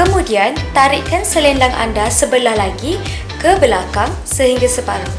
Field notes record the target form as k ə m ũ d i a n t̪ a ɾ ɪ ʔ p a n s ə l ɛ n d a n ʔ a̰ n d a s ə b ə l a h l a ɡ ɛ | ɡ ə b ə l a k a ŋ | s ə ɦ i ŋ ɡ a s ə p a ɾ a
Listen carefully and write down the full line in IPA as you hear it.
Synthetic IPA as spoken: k ə m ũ d i a n t̪ a ɾ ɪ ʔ k a n s ə l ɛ n d a ŋ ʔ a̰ n d a s ə b ə l a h l a ɡ i | k ə b ə l a k a ŋ | s ə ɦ i ŋ ɡ a s ə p a ɾ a